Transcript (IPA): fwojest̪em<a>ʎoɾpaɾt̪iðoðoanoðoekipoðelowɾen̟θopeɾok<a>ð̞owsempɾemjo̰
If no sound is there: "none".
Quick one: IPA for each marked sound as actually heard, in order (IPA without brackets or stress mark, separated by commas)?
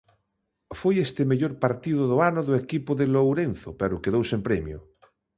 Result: e, e